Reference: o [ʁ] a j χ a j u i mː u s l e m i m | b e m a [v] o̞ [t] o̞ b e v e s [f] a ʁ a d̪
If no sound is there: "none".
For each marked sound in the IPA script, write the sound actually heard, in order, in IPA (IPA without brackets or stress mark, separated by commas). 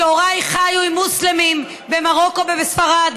ʁ, ʁ, k, f